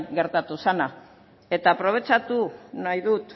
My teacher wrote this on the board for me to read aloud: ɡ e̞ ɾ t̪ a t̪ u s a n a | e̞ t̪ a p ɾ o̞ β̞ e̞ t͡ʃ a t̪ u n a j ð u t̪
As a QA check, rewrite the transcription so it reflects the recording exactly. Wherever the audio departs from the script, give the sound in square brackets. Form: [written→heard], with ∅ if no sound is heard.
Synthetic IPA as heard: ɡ e̞ ɾ t̪ a t̪ u s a n a | e̞ t̪ a p ɾ o̞ β̞ e̞ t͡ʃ a t̪ u n a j ð u t̪